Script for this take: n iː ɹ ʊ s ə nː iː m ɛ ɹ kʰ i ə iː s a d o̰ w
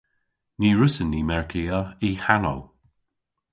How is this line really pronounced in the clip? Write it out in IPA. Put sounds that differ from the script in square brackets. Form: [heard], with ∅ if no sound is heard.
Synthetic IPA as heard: n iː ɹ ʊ s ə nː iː m ɛ ɹ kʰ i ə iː [h] a [n] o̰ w